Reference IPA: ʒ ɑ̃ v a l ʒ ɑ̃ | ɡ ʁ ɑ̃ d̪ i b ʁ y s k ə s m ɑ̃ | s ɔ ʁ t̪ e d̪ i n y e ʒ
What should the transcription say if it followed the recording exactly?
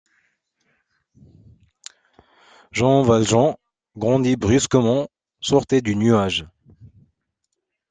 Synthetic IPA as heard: ʒ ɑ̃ v a l ʒ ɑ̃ | ɡ ʁ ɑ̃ d̪ i b ʁ y s k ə m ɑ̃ | s ɔ ʁ t̪ e d̪ y n y a ʒ